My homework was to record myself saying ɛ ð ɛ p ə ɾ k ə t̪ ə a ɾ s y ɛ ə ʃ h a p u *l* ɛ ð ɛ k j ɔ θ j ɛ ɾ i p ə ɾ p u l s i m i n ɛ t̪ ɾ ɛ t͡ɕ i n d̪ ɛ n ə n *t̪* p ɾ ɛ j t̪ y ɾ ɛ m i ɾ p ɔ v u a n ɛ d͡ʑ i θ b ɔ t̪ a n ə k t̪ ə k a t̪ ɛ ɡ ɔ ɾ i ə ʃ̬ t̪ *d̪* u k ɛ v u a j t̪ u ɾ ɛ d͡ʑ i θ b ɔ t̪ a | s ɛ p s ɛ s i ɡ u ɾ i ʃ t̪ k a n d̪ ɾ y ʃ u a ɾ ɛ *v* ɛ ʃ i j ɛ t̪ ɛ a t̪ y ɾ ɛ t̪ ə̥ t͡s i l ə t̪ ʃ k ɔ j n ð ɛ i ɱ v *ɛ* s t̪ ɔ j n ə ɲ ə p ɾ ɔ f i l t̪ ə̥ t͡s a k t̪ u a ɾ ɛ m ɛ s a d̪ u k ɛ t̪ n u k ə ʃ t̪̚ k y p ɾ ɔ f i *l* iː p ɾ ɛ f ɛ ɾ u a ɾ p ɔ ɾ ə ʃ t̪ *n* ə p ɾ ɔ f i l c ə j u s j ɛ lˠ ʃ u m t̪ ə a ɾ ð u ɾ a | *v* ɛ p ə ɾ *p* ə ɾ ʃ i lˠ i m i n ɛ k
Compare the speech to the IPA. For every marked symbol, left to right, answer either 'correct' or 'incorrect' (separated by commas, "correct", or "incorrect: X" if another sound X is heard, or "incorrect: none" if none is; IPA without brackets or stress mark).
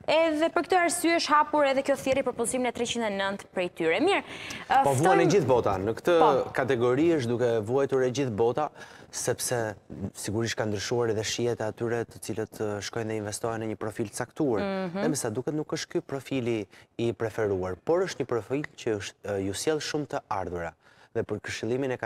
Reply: incorrect: ɾ, correct, correct, incorrect: ð, correct, correct, incorrect: ɲ, incorrect: ð, incorrect: k